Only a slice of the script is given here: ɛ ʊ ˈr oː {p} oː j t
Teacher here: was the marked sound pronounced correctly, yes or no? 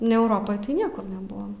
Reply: yes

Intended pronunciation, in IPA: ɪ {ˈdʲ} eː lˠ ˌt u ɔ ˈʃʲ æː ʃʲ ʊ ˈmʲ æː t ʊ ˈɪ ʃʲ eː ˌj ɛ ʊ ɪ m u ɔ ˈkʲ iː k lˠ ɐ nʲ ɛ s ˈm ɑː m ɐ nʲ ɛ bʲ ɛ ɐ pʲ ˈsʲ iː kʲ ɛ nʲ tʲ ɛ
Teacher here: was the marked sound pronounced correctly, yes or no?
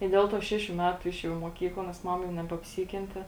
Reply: yes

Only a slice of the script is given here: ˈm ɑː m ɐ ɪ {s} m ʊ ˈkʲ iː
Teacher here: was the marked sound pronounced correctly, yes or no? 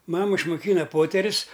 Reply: no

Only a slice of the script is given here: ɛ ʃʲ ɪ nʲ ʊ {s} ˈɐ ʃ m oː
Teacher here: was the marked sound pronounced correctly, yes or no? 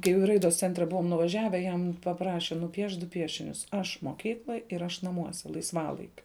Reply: yes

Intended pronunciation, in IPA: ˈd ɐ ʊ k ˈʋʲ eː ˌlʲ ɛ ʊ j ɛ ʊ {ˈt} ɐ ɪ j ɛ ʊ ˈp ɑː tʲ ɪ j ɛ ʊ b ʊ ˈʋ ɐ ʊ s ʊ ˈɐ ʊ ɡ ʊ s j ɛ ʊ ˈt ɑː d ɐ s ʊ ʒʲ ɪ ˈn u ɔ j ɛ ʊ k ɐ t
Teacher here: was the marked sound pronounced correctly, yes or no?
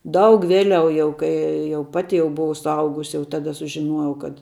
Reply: no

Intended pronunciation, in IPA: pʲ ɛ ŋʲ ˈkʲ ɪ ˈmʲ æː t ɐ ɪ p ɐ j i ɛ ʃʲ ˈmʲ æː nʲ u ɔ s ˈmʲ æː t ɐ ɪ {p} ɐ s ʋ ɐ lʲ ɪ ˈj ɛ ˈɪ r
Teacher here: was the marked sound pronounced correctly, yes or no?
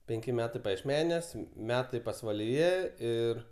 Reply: yes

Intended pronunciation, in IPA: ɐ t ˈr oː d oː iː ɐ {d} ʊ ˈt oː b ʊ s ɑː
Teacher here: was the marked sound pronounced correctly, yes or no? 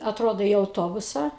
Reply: no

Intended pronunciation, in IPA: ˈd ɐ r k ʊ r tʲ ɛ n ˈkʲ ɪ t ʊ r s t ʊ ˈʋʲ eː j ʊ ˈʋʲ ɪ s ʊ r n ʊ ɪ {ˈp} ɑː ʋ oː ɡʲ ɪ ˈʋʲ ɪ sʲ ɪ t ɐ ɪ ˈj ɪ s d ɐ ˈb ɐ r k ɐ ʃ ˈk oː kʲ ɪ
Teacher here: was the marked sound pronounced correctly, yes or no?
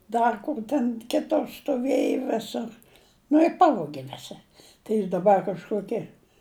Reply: yes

